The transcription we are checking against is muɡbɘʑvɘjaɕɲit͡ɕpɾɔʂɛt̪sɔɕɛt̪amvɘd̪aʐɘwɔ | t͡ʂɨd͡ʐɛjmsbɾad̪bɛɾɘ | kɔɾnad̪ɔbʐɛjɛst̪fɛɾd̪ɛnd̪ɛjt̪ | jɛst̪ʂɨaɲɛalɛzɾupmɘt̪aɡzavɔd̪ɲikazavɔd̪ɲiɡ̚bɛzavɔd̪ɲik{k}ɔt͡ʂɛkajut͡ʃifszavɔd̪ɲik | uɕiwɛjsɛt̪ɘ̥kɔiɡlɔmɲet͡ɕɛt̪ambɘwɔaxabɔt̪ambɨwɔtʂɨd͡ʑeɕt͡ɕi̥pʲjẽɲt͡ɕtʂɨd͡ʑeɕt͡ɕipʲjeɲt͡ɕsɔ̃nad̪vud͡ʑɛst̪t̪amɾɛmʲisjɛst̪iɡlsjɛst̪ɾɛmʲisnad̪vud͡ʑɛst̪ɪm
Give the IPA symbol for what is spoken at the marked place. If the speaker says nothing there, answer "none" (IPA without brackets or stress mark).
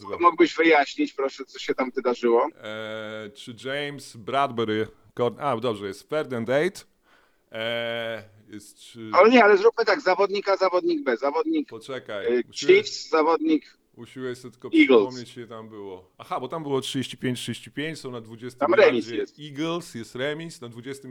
p